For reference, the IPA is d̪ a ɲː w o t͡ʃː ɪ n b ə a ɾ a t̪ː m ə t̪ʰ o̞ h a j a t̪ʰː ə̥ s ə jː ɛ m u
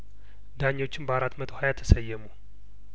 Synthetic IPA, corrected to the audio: d̪ a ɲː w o t͡ʃː ɪ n b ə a ɾ a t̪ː m ə t̪ʰ o̞ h a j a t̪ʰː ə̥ s ə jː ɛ m u